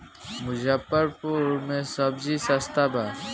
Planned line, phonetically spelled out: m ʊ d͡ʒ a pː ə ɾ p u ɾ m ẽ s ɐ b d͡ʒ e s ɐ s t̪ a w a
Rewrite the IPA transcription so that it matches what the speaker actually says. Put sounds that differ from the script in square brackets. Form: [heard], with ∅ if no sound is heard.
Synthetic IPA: m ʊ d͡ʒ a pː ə ɾ p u ɾ m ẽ s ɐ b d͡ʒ [i] s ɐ s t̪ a [b] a